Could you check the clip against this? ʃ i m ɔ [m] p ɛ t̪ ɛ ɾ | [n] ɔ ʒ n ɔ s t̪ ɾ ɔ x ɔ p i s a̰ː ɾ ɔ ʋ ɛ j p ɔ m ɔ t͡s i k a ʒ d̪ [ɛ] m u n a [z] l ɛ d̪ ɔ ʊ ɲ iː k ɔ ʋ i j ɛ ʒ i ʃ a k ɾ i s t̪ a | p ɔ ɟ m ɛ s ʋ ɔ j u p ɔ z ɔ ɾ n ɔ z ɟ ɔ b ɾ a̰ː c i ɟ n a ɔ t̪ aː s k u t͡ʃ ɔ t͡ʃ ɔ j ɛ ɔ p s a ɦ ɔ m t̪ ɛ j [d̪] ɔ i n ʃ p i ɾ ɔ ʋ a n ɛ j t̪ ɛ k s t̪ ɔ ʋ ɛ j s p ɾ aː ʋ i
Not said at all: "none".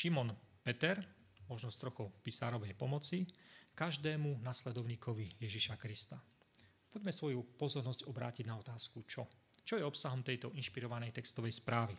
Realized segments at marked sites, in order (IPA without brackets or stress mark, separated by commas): n, m, ɛː, s, t̪